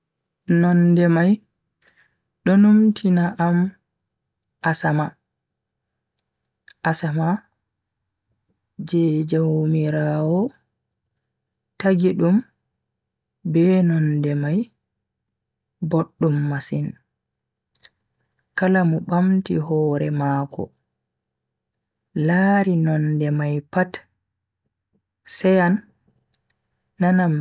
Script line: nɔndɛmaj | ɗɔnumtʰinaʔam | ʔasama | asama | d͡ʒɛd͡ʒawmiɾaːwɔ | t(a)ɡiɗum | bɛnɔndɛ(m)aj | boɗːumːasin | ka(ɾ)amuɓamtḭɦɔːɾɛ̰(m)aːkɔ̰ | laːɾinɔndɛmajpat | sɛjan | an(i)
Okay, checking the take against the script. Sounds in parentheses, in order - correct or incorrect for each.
correct, correct, incorrect, correct, incorrect

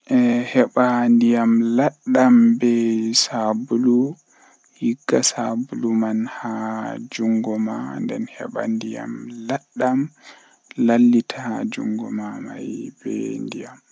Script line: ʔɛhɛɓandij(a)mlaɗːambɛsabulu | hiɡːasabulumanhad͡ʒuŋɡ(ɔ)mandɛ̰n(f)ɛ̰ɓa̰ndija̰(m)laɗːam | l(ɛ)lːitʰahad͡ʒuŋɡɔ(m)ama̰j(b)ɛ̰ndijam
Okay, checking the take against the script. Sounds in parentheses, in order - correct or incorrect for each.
correct, correct, incorrect, correct, incorrect, correct, correct

